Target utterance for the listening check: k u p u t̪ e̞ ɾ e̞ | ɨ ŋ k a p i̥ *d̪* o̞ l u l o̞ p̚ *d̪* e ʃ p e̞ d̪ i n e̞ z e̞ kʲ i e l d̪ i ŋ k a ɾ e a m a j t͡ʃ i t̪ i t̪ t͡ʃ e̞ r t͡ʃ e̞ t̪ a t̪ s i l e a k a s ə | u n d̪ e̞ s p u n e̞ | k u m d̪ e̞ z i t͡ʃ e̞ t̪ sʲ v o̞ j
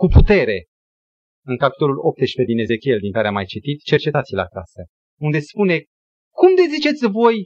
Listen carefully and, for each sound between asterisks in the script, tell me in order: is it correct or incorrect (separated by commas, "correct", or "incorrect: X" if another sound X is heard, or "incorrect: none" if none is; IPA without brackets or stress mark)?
incorrect: t̪, incorrect: t̪